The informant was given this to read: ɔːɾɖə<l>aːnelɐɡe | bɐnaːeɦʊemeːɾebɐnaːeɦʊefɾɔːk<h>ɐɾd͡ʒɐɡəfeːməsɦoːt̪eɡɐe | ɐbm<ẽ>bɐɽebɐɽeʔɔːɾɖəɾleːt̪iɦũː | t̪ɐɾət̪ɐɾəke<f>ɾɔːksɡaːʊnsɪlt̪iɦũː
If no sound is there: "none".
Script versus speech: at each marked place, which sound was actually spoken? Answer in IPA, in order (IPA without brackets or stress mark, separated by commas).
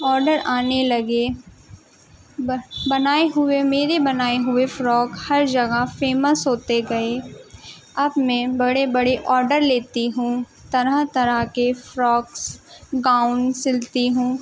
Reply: ɾ, h, ɛ̃, f